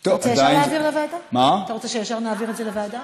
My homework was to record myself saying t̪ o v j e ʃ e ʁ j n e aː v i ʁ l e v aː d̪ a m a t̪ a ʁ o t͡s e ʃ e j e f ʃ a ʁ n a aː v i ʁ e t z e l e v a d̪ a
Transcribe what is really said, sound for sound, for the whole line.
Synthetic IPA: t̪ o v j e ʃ a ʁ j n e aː v i ʁ l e v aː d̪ a m a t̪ a ʁ o t͡s e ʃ e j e f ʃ a ʁ n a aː v i ʁ e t z e l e v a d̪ a